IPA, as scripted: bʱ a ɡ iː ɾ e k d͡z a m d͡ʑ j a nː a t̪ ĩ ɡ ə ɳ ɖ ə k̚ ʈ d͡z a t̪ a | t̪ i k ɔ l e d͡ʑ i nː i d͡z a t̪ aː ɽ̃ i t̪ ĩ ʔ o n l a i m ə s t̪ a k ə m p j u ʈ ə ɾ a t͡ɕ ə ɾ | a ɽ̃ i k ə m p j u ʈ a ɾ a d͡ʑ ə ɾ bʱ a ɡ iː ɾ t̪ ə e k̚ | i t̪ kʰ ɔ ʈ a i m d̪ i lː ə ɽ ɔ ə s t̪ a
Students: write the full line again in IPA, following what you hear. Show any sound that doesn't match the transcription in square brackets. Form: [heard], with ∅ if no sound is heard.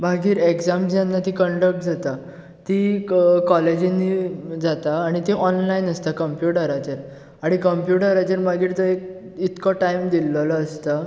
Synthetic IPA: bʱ a ɡ iː ɾ e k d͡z a m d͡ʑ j a nː a t̪ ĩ [k] ə ɳ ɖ ə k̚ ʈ d͡z a t̪ a | t̪ i k ɔ l e d͡ʑ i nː i d͡z a t̪ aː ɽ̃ i t̪ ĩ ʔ [ɔ] n l a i [n] ə s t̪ a k ə m p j u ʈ ə ɾ a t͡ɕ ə ɾ | a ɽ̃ i k ə m p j u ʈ [ə] ɾ a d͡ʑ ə ɾ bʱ a ɡ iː ɾ t̪ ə e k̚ | i t̪ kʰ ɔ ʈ a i m d̪ i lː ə [l] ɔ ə s t̪ a